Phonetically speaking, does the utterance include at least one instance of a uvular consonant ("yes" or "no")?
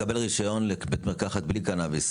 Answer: yes